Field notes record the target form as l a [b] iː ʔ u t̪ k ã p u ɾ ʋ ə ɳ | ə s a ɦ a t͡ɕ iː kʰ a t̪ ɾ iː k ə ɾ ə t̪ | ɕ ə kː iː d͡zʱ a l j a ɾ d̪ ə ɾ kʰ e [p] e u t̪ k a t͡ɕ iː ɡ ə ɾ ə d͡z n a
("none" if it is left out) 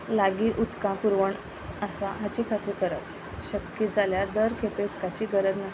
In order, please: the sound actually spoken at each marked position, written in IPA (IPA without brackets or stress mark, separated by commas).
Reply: ɡ, p